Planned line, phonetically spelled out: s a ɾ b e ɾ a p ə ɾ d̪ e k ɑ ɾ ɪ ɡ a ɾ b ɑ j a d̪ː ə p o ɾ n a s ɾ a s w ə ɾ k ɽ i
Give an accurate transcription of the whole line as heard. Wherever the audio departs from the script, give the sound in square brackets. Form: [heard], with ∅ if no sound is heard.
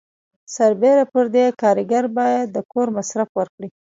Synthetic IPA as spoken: s a ɾ b e ɾ a p ə ɾ d̪ e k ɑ ɾ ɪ ɡ a ɾ b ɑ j a d̪ː ə [k] o ɾ [m] a s ɾ a [f] w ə ɾ k ɽ i